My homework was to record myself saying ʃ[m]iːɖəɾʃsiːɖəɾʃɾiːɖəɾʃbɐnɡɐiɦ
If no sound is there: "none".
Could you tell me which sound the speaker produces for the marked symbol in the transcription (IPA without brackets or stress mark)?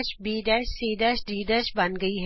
b